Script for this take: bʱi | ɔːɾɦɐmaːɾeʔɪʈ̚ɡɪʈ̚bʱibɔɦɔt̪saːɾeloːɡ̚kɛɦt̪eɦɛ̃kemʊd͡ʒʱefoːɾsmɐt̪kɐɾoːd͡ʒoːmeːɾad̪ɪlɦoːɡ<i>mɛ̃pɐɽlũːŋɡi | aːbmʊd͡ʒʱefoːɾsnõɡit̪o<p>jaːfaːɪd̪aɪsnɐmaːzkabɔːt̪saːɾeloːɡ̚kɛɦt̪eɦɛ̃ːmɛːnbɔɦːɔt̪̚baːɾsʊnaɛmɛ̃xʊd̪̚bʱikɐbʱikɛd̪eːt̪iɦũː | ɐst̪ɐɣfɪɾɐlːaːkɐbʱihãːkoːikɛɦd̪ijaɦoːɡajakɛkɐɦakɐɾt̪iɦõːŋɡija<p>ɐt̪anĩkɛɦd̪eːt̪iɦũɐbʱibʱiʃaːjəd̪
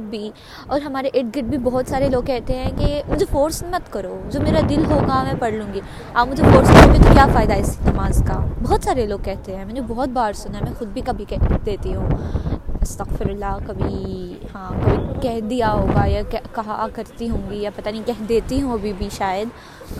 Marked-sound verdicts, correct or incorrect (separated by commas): incorrect, incorrect, correct